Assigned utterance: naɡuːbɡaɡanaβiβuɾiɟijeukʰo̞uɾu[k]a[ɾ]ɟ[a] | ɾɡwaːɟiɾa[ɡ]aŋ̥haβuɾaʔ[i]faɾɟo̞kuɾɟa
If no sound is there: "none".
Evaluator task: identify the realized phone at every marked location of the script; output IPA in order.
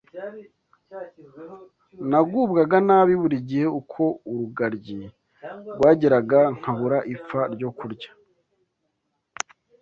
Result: ɡ, ɾ, i, ɡ, i

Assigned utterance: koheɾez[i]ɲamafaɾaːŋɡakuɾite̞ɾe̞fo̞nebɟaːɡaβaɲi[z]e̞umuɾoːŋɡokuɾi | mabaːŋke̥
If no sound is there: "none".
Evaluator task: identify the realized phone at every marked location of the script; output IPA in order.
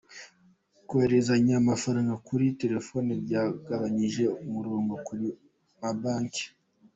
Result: a, ʒ

